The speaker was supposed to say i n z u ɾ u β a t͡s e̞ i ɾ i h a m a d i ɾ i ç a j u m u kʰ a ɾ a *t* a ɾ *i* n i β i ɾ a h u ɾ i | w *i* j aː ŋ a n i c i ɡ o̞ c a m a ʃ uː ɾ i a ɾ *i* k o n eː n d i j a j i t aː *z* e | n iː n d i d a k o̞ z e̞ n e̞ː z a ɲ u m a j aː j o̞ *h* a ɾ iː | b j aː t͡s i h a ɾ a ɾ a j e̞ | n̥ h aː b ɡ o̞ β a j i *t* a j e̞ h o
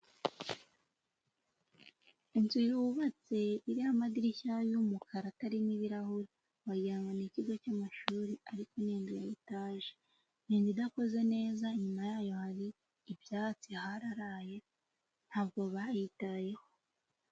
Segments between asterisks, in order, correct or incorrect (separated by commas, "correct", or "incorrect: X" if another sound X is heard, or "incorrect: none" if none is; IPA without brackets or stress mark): correct, correct, incorrect: a, correct, incorrect: ʒ, correct, correct